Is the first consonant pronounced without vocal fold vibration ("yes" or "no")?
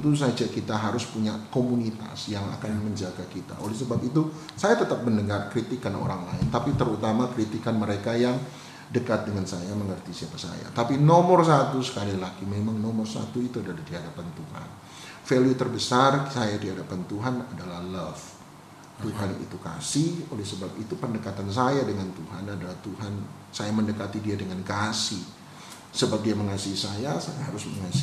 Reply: yes